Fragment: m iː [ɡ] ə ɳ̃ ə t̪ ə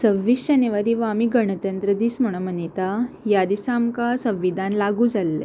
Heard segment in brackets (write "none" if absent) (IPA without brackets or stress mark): ɡ